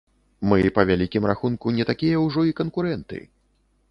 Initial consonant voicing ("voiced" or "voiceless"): voiced